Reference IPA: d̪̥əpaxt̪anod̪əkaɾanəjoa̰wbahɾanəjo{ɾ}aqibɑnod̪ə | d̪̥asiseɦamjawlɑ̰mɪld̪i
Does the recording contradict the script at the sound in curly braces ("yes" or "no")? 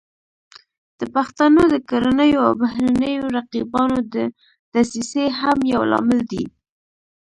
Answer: no